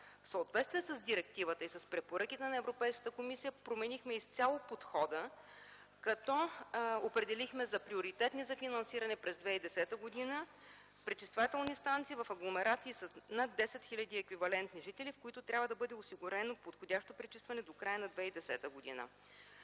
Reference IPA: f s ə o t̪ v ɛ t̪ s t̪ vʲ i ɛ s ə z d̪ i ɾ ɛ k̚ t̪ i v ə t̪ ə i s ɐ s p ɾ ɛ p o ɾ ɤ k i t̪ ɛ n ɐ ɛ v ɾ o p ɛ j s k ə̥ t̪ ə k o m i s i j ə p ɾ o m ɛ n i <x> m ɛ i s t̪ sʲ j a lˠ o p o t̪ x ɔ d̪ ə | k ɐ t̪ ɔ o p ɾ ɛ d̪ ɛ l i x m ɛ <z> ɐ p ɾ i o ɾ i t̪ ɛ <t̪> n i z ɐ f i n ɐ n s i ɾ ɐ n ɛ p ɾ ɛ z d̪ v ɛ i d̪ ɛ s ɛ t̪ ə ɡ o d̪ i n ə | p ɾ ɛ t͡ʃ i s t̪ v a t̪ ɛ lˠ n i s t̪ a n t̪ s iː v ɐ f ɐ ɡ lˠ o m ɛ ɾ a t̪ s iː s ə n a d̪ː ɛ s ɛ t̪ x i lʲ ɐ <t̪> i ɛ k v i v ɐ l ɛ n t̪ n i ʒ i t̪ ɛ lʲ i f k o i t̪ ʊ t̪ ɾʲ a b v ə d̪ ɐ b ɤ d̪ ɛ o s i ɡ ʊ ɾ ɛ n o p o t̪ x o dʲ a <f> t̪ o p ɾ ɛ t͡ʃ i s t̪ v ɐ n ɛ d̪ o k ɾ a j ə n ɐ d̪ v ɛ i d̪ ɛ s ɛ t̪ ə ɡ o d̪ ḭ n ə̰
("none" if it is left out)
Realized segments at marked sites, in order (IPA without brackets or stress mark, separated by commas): x, z, t̪, d̪, ʃ